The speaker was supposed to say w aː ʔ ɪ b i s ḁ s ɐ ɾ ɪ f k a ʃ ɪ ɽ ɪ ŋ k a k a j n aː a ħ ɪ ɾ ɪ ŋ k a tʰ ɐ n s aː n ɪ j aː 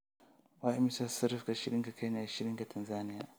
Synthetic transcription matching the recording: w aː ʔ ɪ m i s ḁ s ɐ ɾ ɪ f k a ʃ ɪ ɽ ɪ ŋ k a k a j n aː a ʃ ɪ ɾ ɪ ŋ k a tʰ ɐ n z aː n ɪ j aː